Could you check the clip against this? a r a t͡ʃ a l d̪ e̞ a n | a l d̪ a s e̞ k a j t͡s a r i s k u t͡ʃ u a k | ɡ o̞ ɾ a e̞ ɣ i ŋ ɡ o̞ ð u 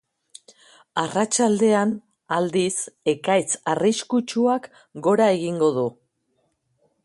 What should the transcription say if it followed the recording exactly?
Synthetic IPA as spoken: a r a t͡ʃ a l d̪ e̞ a n | a l d̪ i s e̞ k a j t͡s a r i s k u t͡ʃ u a k | ɡ o̞ ɾ a e̞ ɣ i ŋ ɡ o̞ ð u

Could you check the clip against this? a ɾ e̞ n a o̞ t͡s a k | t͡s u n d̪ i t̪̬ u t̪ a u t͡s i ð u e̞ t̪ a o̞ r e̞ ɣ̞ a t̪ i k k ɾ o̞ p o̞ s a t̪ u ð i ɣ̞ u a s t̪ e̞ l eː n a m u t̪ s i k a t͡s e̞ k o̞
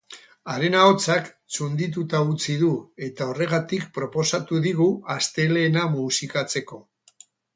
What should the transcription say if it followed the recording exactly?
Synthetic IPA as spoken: a ɾ e̞ n a o̞ t͡s a k | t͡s u n d̪ i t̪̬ u t̪ a u t͡s i ð u e̞ t̪ a o̞ r e̞ ɣ̞ a t̪ i k p ɾ o̞ p o̞ s a t̪ u ð i ɣ̞ u a s t̪ e̞ l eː n a m u s i k a t͡s e̞ k o̞

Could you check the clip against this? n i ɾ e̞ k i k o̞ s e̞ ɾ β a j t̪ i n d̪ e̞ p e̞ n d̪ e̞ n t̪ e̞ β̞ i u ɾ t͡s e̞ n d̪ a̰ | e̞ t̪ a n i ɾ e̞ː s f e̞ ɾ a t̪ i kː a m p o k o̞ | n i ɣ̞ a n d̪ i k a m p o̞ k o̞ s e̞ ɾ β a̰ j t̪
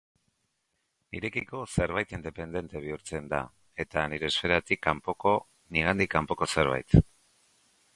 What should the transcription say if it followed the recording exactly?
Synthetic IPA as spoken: n i ɾ e̞ k i k o̞ s e̞ ɾ β a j t̪ i n d̪ e̞ p e̞ n d̪ e̞ n t̪ e̞ β̞ i u ɾ t͡s e̞ n d̪ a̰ | e̞ t̪ a n i ɾ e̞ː s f e̞ ɾ a t̪ i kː a m p o k o̞ | n i ɣ̞ a n d̪ i k a m p o̞ k o̞ s e̞ ɾ β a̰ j t̪

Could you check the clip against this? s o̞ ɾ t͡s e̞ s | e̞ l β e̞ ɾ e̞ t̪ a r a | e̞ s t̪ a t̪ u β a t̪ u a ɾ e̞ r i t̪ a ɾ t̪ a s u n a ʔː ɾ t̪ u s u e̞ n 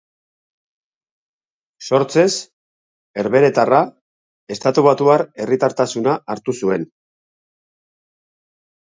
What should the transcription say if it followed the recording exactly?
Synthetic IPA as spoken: s o̞ ɾ t͡s e̞ s | e̞ ɾ β e̞ ɾ e̞ t̪ a r a | e̞ s t̪ a t̪ u β a t̪ u a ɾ e̞ r i t̪ a ɾ t̪ a s u n a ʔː ɾ t̪ u s u e̞ n

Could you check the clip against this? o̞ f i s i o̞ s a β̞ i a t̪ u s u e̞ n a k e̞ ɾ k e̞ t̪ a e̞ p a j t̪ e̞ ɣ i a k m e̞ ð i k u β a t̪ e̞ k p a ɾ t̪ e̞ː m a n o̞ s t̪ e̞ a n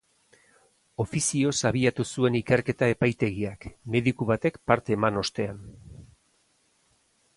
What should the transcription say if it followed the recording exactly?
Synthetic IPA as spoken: o̞ f i s i o̞ s a β̞ i a t̪ u s u e̞ n i k e̞ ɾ k e̞ t̪ a e̞ p a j t̪ e̞ ɣ i a k m e̞ ð i k u β a t̪ e̞ k p a ɾ t̪ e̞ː m a n o̞ s t̪ e̞ a n

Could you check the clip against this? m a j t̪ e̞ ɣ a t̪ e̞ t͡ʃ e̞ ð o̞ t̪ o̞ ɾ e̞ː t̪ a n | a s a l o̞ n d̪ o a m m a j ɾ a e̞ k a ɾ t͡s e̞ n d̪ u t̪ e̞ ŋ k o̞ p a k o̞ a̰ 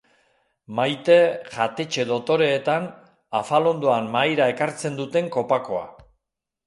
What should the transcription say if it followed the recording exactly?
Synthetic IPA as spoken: m a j t̪ e̞ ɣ a t̪ e̞ t͡ʃ e̞ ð o̞ t̪ o̞ ɾ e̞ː t̪ a n | a f a l o̞ n d̪ o a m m a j ɾ a e̞ k a ɾ t͡s e̞ n d̪ u t̪ e̞ ŋ k o̞ p a k o̞ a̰

